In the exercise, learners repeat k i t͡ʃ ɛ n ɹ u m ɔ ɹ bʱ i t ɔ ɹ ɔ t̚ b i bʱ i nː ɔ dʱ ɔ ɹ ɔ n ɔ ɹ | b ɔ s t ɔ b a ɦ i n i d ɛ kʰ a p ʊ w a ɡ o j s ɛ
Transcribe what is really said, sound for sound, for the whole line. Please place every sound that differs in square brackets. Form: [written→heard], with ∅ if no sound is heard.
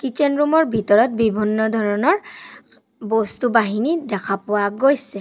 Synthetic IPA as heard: k i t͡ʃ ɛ n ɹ u m ɔ ɹ bʱ i t ɔ ɹ ɔ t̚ b i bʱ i nː ɔ dʱ ɔ ɹ ɔ n ɔ ɹ | b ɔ s t [ɔ→u] b a ɦ i n i d ɛ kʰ a p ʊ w a ɡ o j s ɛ

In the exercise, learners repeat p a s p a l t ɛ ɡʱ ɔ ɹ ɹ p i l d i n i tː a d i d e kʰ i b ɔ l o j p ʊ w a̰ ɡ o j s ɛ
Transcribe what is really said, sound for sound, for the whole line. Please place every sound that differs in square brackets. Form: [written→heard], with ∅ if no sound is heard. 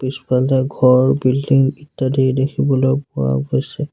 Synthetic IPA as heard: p [a→i] s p a l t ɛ ɡʱ ɔ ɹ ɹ [p→b] i l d i [n→ŋ] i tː a d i d e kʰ i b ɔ l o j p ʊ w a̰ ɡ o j s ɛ

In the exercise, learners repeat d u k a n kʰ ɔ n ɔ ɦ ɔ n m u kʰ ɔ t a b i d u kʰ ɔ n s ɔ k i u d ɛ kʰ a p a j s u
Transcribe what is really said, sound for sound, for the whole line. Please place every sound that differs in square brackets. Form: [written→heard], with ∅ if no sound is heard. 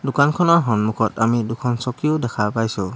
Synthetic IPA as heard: d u k a n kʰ ɔ n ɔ ɦ ɔ n m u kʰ ɔ t a [b→m] i d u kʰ ɔ n s ɔ k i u d ɛ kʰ a p a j s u

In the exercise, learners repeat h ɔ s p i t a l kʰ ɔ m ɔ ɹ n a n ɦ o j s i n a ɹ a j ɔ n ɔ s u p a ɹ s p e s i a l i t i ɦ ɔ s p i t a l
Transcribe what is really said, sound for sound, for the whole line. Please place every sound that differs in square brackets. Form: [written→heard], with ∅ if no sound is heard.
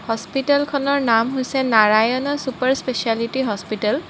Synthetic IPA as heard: h ɔ s p i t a l kʰ ɔ [m→n] ɔ ɹ n a [n→m] ɦ o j s [i→ɛ] n a ɹ a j ɔ n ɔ s u p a ɹ s p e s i a l i t i ɦ ɔ s p i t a l

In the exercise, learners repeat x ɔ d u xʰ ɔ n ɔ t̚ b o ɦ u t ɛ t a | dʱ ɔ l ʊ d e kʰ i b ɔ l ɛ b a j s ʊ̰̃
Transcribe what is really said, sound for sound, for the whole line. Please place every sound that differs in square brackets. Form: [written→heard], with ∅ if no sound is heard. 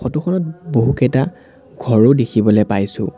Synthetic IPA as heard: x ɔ [d→t] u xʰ ɔ n ɔ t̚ b o ɦ u [t→k] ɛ t a | [dʱ→ɡʱ] ɔ [l→ɹ] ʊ d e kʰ i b ɔ l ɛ [b→p] a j s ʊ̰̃

